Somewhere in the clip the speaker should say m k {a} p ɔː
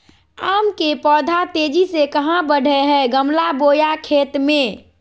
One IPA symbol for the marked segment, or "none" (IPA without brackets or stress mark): e